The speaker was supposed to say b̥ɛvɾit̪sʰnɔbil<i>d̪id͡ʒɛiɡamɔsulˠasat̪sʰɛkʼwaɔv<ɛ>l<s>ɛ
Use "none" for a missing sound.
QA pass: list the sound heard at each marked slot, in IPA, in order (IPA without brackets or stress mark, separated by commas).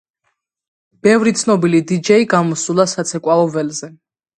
i, ɛ, z